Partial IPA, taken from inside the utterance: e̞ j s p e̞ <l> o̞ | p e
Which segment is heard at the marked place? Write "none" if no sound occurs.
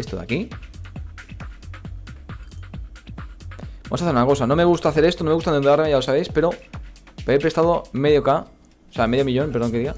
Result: ɾ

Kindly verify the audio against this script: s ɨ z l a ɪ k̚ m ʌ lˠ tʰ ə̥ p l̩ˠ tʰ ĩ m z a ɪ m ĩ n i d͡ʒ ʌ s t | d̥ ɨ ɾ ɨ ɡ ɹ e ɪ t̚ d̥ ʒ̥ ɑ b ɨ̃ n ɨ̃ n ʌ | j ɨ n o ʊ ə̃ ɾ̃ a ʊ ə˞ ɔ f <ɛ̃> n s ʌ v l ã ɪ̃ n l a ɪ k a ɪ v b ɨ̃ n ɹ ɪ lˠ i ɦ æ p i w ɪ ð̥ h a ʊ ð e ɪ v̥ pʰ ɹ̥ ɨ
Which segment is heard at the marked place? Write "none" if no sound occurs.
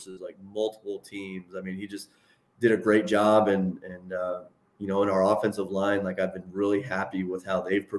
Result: ɛ̃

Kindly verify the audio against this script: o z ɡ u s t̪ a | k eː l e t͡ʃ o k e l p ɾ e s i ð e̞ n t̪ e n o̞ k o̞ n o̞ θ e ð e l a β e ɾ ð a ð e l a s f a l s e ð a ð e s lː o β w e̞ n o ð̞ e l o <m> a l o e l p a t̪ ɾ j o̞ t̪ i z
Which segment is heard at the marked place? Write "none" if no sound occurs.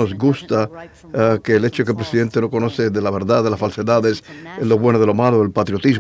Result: m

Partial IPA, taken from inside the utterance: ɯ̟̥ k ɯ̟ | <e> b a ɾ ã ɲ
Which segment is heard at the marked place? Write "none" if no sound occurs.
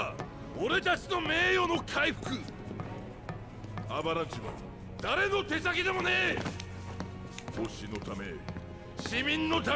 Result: a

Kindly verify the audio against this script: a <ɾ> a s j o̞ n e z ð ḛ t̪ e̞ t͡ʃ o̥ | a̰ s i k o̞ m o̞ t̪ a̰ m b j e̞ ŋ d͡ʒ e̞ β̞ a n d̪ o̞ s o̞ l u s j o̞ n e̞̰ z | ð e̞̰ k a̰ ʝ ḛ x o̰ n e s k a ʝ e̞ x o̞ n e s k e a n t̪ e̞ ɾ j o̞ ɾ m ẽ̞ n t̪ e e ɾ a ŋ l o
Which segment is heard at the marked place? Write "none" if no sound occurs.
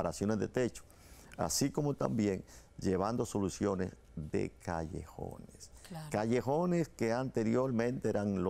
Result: ɾ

